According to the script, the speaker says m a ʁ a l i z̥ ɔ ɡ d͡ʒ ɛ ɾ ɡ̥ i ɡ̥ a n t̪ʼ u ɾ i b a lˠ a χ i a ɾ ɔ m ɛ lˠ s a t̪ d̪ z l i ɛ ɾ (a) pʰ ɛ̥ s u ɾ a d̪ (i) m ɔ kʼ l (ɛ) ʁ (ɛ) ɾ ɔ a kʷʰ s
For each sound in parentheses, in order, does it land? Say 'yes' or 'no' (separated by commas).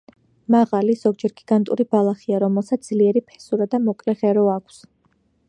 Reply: no, no, yes, yes